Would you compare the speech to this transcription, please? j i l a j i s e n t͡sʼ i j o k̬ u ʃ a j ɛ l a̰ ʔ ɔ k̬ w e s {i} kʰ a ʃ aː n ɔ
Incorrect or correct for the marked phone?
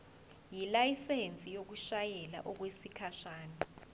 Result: correct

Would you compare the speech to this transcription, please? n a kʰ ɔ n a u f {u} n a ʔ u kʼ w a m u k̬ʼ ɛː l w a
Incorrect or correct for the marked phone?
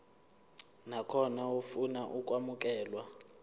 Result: correct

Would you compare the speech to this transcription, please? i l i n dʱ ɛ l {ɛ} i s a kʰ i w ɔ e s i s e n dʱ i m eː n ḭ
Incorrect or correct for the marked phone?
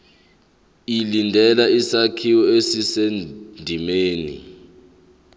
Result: incorrect: a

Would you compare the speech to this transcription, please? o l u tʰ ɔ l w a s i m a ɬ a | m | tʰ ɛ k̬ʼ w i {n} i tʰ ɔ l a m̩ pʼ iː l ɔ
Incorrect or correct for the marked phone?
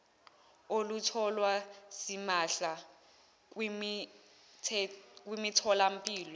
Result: incorrect: m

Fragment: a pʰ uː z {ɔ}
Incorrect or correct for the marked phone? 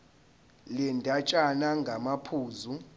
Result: incorrect: u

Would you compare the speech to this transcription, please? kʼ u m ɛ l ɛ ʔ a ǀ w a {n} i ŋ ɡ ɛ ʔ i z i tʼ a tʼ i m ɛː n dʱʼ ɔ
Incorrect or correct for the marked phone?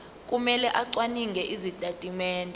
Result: correct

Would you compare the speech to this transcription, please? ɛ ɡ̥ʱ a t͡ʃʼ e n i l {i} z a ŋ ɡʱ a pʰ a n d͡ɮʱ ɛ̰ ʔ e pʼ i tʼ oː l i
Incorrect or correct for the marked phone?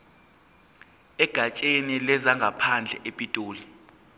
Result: incorrect: ɛ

